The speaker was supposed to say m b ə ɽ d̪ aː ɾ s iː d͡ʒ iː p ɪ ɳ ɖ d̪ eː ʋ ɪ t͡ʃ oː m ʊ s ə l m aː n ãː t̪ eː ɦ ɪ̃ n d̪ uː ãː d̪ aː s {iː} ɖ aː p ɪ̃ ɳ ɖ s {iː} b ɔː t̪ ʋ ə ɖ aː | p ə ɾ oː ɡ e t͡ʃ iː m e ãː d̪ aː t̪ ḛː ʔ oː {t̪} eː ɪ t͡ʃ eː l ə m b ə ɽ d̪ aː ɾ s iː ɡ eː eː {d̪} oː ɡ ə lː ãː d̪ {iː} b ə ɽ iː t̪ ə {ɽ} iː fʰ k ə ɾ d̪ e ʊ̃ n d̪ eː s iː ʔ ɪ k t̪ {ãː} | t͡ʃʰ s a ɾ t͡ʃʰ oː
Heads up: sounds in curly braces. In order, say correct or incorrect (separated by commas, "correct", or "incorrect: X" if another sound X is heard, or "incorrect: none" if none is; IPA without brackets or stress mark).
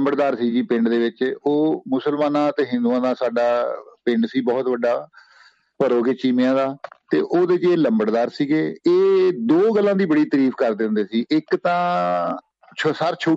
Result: incorrect: aː, correct, incorrect: d̪, correct, correct, incorrect: ɾ, correct